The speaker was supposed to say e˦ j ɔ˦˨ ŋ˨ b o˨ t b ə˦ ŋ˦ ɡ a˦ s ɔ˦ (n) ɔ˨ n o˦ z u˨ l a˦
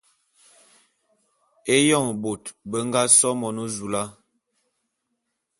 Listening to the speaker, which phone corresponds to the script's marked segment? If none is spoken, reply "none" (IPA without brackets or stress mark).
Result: m